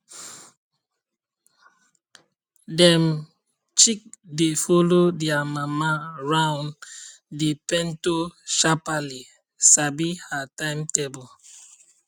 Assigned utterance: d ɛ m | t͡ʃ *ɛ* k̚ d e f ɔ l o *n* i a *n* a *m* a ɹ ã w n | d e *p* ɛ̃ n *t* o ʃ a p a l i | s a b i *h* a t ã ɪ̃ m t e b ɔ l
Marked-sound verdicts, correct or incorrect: incorrect, incorrect, incorrect, correct, correct, correct, correct

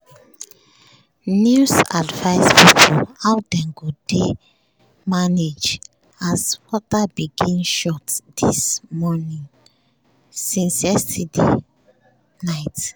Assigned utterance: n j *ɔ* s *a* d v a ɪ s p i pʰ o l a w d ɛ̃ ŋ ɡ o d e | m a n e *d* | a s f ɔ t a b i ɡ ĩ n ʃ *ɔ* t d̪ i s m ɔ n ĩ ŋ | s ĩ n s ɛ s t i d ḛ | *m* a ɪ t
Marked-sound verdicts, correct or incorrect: incorrect, correct, incorrect, correct, incorrect

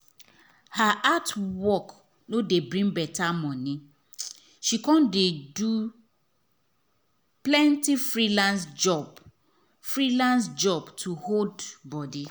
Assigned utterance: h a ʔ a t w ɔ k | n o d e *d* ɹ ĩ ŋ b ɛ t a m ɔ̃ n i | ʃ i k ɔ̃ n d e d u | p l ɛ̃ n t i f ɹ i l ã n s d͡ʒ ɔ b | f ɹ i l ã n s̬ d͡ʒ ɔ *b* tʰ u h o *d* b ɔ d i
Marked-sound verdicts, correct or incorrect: incorrect, correct, correct

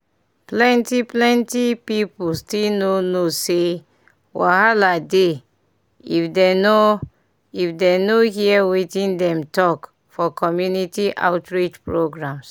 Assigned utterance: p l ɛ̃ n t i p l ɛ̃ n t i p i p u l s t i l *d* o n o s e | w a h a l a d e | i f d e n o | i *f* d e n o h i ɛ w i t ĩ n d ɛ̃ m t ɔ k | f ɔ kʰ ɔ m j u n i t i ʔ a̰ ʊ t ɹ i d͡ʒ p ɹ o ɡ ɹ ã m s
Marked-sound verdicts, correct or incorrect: incorrect, correct

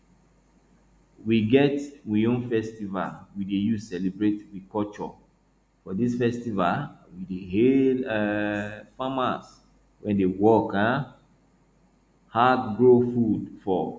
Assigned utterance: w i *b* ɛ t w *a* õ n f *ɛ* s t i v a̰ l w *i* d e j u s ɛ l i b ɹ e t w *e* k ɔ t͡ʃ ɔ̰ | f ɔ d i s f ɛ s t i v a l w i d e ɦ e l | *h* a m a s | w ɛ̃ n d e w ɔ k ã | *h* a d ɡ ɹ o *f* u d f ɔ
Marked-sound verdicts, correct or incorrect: incorrect, incorrect, correct, correct, incorrect, incorrect, correct, correct

